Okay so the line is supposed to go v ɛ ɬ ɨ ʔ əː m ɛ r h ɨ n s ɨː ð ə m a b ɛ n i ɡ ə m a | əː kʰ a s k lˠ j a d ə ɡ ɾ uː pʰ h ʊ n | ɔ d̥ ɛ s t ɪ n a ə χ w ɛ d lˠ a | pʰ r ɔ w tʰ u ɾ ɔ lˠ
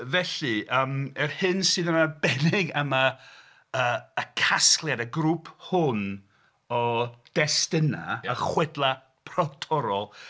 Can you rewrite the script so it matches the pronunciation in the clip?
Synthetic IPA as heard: v ɛ ɬ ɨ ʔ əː m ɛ r h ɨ n s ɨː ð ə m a b ɛ n ɪ ɡ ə m a | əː kʰ a s k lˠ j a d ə ɡ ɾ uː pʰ h ʊ n | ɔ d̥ ɛ s t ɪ n a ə χ w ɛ d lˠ a | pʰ r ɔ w tʰ ɔ ɾ ɔ lˠ